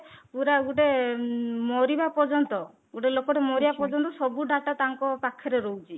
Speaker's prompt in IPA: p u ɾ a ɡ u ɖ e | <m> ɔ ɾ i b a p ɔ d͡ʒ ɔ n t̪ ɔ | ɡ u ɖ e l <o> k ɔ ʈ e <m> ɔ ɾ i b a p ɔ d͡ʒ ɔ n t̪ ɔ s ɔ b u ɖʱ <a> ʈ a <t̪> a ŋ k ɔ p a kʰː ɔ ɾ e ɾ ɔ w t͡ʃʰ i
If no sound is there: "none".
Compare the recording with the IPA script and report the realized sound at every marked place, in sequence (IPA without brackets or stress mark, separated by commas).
m, o, m, a, t̪